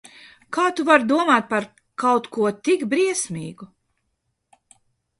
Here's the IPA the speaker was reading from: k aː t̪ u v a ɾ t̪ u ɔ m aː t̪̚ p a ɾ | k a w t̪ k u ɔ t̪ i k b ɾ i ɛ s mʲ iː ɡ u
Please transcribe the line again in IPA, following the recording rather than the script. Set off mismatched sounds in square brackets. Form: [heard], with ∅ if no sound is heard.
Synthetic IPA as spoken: k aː t̪ u v a ɾ [d̪] u ɔ m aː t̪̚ p a ɾ | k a w t̪ k u ɔ t̪ i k b ɾ i ɛ s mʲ iː ɡ u